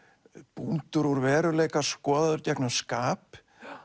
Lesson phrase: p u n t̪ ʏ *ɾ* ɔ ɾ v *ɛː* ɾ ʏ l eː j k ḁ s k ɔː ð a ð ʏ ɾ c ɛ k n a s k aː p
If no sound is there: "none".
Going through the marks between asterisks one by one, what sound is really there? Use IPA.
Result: ɾ, ɛː

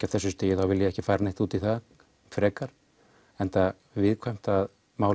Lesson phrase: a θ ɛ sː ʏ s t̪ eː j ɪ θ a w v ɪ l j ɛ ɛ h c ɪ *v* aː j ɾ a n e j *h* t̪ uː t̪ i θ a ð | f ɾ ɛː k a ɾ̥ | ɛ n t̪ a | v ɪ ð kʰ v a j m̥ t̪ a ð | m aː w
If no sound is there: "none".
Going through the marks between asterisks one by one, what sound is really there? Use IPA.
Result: f, h

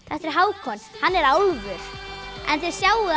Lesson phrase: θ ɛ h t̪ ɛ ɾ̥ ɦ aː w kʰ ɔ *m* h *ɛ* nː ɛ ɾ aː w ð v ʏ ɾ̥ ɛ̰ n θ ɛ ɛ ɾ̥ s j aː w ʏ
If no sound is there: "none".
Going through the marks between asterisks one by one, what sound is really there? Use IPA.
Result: n, a

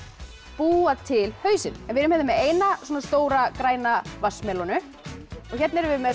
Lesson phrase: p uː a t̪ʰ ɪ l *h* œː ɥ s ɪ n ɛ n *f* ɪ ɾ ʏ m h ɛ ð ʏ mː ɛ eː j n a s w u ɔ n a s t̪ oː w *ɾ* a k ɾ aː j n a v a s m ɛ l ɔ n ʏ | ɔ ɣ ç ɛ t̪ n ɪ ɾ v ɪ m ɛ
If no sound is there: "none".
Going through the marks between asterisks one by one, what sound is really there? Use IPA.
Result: h, v, ɾ

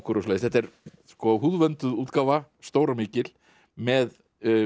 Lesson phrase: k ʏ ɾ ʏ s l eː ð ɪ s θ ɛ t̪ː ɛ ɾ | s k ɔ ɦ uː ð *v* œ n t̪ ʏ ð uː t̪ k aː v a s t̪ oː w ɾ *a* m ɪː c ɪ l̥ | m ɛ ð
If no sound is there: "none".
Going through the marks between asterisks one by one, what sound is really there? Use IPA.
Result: v, a

